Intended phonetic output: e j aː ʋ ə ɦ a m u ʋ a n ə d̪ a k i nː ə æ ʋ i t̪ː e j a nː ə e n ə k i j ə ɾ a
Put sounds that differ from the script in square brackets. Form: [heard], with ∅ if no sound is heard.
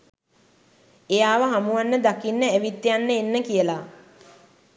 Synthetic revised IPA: e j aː ʋ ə ɦ a m u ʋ a [nː] ə d̪ a k i nː ə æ ʋ i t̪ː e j a nː ə e [nː] ə k i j ə [l] a